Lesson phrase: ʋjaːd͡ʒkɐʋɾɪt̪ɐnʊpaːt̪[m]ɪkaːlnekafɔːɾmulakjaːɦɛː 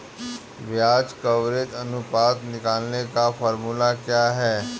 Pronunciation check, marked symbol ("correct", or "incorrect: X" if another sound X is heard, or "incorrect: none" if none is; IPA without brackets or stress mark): incorrect: n